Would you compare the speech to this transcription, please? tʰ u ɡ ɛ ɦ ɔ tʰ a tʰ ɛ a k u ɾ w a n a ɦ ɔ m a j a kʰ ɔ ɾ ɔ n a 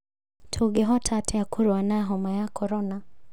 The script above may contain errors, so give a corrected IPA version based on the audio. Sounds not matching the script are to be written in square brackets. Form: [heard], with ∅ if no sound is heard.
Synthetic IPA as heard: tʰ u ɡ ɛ ɦ ɔ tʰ a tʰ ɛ a k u ɾ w a n a ɦ ɔ m a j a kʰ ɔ ɾ ɔ n a

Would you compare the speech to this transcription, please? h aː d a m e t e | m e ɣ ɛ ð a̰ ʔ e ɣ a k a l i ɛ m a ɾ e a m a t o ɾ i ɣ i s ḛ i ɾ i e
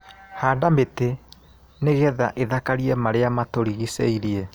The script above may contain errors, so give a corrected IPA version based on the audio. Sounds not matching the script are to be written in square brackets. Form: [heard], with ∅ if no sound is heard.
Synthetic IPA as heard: h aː d a m e t e | [n] e ɣ ɛ ð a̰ ʔ e [ð] a k a [ɾ] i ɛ m a ɾ e a m a t o ɾ i ɣ i s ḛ i ɾ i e

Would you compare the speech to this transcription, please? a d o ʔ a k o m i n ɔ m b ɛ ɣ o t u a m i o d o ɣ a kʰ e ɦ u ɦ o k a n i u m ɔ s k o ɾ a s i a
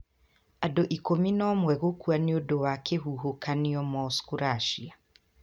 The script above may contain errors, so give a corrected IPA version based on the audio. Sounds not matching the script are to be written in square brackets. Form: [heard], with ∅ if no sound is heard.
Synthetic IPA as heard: a d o ʔ [i] k o m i n ɔ m [w] ɛ ɣ o [k] u a [n] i o d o [w] a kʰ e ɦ u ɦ o k a n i [ɔ] m ɔ s k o ɾ a [ʃ] i a

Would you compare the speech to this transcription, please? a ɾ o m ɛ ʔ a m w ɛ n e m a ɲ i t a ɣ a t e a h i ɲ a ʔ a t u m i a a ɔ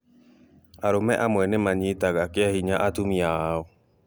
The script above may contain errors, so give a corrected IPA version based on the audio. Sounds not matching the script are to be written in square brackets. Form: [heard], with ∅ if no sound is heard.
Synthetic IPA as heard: a ɾ o m ɛ ʔ a m w ɛ n e m a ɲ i t a ɣ a [k] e a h i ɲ a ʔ a t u m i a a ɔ

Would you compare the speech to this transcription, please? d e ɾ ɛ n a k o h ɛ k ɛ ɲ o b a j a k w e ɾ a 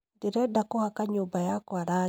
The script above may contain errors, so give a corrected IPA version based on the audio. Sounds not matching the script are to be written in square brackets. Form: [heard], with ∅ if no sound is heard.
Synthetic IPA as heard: d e ɾ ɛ [d] a k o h [a] k [a] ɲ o b a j a k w [a] ɾ a

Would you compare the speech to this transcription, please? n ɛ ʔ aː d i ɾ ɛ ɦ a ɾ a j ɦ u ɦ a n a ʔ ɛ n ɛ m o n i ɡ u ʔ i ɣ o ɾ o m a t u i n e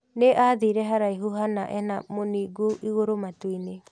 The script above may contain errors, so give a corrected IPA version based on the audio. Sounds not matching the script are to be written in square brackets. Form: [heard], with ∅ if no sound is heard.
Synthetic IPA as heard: n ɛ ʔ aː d i ɾ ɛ ɦ a ɾ a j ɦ u ɦ a n a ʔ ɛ n [a] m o n i ɡ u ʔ i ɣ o ɾ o m a t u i n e

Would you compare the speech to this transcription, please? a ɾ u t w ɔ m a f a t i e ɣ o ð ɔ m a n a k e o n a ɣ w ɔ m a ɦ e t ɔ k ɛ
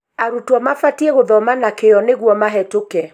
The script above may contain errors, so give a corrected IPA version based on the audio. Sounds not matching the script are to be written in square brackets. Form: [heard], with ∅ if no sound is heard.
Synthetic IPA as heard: a ɾ u t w ɔ m a f a t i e ɣ o ð ɔ m a n a k e [ɔ] n [e] ɣ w ɔ m a ɦ [ɛ] t [o] k ɛ

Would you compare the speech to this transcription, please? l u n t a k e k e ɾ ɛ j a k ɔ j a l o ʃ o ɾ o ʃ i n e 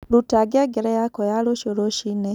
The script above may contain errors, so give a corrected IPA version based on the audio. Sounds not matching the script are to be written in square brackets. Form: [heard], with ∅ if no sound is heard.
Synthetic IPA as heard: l u [∅] t a [ɡ] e [ɡ] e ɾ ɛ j a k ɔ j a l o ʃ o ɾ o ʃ i n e

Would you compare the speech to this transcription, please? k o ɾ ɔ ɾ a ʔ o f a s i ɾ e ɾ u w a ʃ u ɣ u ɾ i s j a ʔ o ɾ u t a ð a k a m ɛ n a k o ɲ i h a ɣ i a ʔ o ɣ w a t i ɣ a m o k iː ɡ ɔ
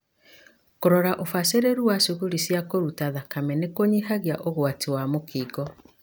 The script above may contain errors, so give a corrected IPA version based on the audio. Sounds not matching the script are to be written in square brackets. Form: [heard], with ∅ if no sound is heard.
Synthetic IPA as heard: k o ɾ ɔ ɾ a ʔ o f a s [e] ɾ e ɾ u w a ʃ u ɣ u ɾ i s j a [k] o ɾ u t a ð a k a m ɛ n [e] k o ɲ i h a ɣ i a ʔ o ɣ w a t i [w] a m o k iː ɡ ɔ

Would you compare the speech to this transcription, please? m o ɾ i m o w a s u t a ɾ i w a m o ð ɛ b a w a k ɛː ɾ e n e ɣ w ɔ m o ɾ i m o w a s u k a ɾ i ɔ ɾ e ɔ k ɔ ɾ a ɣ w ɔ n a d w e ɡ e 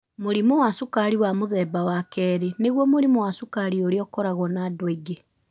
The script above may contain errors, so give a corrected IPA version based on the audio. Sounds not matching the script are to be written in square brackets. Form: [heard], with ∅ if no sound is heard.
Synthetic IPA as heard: m o ɾ i m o w a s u [k] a ɾ i w a m o ð ɛ b a w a k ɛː ɾ e n e ɣ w ɔ m o ɾ i m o w a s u k a ɾ i [o] ɾ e ɔ k ɔ ɾ a ɣ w ɔ n a d w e ɡ e

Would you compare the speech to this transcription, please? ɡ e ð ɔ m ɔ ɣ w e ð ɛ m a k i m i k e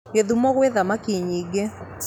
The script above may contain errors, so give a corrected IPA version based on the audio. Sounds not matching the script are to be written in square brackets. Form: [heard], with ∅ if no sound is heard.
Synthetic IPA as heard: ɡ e ð [u] m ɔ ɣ w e ð [a] m a k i [ɲ] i [ɡ] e

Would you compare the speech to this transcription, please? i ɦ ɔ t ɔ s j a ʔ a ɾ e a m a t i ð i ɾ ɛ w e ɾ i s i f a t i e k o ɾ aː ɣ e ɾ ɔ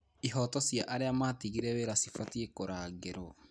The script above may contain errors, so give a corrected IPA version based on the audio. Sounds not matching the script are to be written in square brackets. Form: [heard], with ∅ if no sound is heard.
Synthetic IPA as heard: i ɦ ɔ t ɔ s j a ʔ a ɾ e a m a t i [ɣ] i ɾ ɛ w e ɾ [a] s i f a t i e k o ɾ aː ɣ e ɾ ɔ

